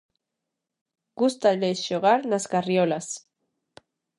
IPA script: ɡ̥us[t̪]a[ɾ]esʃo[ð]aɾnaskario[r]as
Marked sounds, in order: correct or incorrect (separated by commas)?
correct, incorrect, incorrect, incorrect